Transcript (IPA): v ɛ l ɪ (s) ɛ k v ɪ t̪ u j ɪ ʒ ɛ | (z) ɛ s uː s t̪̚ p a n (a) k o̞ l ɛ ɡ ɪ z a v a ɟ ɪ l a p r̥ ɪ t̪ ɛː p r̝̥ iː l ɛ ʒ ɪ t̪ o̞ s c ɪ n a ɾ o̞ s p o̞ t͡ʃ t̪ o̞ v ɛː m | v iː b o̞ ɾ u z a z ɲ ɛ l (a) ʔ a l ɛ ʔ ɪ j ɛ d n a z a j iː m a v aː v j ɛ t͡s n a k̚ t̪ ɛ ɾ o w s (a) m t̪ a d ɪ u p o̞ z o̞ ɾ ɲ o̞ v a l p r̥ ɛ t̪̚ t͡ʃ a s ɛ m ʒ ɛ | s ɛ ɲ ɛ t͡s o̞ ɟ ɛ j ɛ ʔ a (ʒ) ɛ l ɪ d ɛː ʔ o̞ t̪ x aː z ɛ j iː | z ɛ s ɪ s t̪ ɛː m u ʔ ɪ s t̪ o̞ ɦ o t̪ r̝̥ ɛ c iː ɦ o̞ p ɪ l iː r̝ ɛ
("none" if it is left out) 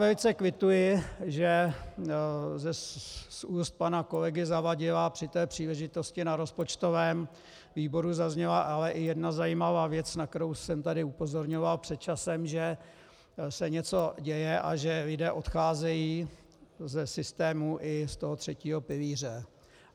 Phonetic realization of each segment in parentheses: t͡s, z, a, a, ɛ, ʒ

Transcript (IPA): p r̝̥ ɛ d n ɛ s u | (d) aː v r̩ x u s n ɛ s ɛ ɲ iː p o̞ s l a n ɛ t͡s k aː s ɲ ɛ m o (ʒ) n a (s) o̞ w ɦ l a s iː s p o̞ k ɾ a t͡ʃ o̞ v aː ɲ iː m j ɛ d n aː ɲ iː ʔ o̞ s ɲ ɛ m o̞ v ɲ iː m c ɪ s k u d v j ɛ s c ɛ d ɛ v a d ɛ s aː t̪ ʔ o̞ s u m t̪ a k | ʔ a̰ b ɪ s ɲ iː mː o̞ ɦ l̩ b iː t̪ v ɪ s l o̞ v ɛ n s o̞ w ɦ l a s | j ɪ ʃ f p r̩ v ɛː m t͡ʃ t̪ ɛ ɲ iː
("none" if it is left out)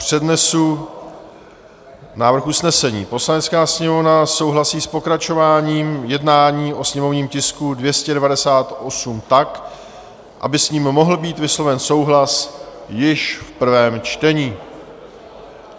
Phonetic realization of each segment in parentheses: n, v, s

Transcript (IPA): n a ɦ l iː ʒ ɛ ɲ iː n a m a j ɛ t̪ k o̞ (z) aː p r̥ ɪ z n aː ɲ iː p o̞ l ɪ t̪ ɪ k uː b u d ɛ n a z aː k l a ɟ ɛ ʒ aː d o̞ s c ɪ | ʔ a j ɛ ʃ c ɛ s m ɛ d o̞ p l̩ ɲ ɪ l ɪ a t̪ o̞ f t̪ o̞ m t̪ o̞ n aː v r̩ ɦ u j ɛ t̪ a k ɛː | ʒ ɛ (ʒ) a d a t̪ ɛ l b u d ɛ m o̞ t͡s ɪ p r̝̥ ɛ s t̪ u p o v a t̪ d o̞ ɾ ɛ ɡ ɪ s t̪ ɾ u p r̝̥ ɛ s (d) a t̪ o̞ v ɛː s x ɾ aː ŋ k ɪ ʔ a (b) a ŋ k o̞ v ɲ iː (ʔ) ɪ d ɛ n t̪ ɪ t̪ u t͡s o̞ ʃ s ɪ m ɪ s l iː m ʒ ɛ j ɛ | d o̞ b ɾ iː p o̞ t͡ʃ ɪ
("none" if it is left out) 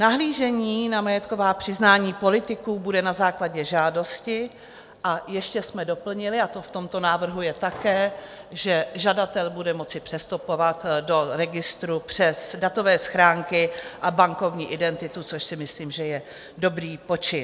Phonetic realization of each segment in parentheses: v, ʒ, d, b, ʔ

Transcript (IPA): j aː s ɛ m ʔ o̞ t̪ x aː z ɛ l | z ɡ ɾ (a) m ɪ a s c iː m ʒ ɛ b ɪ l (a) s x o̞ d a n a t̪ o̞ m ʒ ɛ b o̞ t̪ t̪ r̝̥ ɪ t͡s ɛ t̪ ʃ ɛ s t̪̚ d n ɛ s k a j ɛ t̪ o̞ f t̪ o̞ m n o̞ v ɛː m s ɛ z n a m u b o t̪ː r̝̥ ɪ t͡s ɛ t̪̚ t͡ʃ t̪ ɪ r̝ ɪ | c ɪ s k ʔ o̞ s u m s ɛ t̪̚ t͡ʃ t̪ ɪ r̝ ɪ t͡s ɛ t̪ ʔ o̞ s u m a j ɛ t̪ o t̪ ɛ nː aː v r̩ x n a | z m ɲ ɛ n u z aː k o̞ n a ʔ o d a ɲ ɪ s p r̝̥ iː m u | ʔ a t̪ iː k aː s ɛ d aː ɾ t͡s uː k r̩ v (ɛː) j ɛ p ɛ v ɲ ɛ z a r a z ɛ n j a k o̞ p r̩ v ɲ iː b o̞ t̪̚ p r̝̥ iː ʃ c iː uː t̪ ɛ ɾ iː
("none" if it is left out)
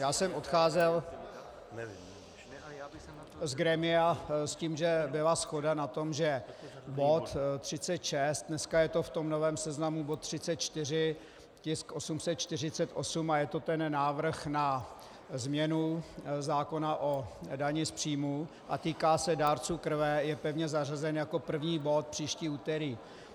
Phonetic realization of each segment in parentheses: ɛ, a, ɛ

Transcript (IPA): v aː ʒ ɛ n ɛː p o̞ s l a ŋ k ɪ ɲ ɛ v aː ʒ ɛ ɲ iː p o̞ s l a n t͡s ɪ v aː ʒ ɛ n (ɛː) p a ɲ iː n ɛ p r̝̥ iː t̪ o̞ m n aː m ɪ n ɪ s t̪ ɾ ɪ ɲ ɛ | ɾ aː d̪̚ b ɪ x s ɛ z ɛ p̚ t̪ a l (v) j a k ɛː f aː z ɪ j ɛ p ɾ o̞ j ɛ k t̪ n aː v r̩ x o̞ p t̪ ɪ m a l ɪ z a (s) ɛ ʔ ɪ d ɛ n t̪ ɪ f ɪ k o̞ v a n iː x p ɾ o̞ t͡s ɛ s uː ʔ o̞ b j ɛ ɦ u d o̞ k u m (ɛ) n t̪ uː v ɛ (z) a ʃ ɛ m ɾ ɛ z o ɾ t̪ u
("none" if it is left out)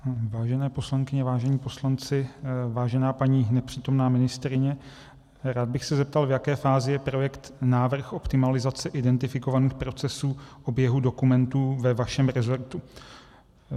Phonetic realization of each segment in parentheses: aː, v, t͡s, ɛ, v

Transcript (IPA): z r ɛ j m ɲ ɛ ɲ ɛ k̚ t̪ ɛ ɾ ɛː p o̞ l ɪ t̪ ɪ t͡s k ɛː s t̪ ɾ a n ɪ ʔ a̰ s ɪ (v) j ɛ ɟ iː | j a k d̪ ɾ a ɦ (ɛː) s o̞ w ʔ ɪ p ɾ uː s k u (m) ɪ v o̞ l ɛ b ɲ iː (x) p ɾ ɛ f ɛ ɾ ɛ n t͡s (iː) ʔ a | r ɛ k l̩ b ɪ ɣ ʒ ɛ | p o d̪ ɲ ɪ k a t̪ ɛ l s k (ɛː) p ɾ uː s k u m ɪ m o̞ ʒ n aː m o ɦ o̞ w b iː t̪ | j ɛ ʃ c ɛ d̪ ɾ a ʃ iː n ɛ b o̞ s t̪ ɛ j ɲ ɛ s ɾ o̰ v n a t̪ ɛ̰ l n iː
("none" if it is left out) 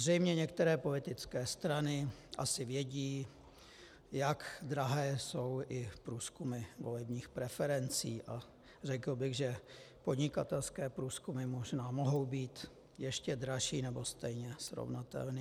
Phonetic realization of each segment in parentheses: v, ɛː, m, x, iː, ɛː

